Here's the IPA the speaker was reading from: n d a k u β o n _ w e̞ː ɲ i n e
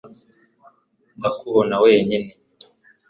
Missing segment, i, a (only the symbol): a